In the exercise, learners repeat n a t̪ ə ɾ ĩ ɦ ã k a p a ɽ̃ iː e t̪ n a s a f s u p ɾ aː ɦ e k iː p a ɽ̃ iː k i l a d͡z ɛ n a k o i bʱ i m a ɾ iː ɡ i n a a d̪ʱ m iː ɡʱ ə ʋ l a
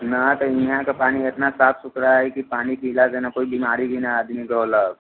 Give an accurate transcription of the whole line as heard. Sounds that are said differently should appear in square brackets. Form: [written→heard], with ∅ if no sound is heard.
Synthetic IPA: n a t̪ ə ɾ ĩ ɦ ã k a p a ɽ̃ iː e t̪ n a s a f s u [p→k] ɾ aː ɦ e k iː p a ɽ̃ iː k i l a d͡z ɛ n a k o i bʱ i m a ɾ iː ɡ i n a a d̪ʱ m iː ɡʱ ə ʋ l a